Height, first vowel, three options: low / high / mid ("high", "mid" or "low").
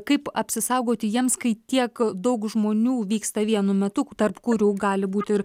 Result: low